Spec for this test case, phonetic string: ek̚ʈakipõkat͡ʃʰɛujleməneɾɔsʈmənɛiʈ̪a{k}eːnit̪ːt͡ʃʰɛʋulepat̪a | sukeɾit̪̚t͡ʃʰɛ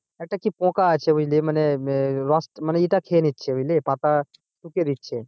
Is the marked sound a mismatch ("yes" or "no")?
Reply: yes